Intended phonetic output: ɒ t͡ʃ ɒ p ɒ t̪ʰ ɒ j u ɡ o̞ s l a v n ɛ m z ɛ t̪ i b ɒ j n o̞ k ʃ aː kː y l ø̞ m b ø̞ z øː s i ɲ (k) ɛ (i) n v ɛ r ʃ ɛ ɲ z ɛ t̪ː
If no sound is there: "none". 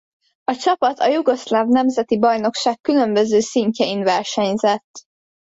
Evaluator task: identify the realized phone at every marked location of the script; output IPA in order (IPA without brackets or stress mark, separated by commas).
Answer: c, i